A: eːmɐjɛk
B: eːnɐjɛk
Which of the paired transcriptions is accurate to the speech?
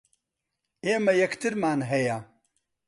A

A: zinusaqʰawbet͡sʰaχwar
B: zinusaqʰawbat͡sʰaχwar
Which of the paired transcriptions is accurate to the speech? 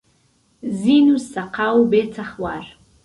A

